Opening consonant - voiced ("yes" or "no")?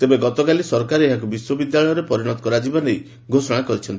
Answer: no